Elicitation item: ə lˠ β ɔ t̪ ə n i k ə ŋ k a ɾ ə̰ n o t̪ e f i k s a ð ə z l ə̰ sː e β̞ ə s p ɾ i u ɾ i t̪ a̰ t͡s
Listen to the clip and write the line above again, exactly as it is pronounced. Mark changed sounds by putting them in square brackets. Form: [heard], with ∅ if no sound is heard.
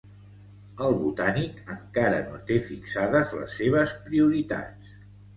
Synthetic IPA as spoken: ə lˠ β [u] t̪ [a] n i k ə ŋ k a ɾ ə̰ n o t̪ e f i k s a ð ə z l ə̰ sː e β̞ ə s p ɾ i u ɾ i t̪ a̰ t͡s